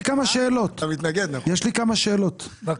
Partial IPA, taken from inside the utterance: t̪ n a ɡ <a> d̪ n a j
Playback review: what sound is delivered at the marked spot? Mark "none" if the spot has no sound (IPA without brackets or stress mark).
e